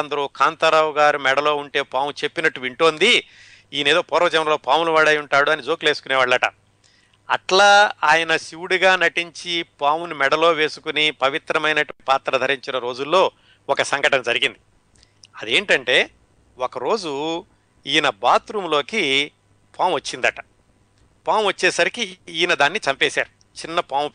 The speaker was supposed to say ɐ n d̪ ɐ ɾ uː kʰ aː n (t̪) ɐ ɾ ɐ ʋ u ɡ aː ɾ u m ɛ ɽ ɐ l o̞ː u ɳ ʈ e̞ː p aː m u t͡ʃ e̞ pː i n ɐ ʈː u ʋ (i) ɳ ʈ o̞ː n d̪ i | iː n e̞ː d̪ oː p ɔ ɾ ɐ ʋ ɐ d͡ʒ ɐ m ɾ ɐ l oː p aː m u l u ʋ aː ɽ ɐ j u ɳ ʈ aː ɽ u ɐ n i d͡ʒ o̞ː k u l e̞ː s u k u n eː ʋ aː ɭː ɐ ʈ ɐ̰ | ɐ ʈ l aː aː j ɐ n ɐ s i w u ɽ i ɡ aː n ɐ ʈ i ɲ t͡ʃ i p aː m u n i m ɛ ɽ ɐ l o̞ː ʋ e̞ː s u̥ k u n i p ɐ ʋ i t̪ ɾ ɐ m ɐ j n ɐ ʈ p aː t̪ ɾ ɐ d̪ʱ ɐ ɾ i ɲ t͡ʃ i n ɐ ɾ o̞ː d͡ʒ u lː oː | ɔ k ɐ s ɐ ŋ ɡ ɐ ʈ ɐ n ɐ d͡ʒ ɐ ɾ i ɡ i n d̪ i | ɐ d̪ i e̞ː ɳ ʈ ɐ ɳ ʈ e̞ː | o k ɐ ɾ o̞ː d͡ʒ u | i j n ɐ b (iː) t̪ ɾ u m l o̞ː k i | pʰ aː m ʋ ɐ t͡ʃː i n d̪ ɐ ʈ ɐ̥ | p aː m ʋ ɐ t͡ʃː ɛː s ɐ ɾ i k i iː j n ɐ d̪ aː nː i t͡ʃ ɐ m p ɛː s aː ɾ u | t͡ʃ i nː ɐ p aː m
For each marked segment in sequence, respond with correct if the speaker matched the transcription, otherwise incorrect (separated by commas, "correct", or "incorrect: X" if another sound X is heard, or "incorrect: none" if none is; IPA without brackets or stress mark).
correct, correct, incorrect: aː